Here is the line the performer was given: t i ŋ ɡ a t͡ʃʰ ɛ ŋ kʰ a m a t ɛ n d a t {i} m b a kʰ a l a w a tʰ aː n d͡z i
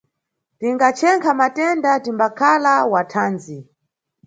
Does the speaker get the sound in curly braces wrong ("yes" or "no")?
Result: no